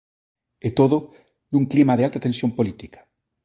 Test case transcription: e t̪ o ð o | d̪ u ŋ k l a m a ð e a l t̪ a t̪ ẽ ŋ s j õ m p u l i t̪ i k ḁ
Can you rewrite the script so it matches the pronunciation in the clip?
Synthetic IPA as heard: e t̪ o ð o | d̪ u ŋ k l i m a ð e a l t̪ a t̪ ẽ n s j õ m p o l i t̪ i k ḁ